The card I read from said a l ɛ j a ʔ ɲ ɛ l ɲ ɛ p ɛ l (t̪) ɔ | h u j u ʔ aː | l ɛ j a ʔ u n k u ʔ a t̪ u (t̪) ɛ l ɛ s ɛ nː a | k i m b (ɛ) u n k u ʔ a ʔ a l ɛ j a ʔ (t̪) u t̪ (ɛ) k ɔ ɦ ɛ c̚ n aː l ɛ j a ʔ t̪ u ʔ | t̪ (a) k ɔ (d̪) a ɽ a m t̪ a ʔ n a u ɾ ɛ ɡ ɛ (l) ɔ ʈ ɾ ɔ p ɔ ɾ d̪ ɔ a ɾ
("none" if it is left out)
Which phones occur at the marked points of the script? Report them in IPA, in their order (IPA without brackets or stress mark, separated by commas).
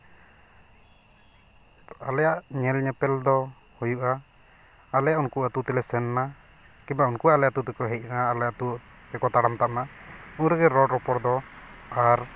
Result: d̪, t̪, a, t̪, ɛ, ɛ, t̪, ɾ